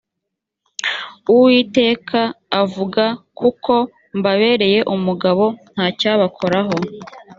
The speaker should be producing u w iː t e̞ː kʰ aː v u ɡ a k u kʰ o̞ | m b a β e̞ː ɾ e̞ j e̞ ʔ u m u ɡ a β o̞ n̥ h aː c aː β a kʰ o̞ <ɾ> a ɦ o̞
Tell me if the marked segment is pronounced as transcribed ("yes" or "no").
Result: yes